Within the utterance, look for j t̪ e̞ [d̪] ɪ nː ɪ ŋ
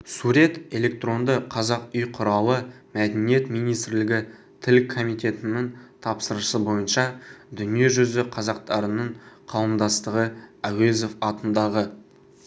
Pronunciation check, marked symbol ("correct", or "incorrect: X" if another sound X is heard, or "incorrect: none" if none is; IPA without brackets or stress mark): incorrect: t̪